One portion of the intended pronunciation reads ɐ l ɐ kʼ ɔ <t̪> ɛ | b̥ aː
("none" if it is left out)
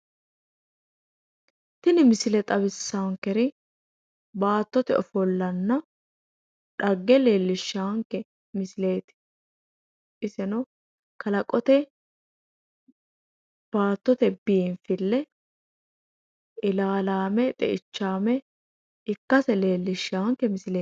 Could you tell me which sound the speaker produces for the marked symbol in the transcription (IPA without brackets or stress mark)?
t̪